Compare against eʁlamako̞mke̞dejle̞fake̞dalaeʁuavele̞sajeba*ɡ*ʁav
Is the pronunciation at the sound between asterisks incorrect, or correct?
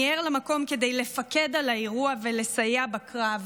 incorrect